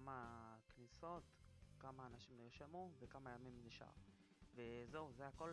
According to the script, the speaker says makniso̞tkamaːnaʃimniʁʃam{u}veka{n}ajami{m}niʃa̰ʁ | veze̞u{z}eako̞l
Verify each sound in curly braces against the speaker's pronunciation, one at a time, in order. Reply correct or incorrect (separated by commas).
correct, incorrect, correct, correct